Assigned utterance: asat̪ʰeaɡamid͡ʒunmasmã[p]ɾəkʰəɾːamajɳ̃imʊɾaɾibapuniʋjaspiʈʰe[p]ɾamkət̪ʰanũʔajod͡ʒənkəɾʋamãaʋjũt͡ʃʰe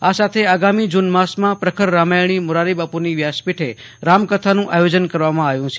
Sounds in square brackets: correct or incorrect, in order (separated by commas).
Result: correct, incorrect